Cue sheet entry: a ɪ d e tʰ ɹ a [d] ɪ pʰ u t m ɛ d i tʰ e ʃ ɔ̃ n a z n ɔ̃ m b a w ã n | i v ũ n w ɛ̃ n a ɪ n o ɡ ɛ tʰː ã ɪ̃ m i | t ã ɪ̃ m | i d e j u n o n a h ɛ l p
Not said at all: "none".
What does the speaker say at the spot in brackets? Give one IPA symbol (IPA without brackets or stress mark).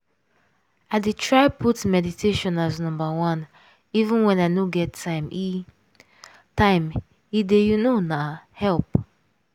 none